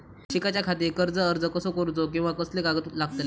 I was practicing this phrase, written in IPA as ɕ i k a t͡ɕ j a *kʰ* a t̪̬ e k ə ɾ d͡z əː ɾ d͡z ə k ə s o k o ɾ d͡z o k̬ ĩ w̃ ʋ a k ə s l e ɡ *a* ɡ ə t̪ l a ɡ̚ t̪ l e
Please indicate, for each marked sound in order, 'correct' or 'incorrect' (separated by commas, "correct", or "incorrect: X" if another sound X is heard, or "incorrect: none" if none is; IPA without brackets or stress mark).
correct, correct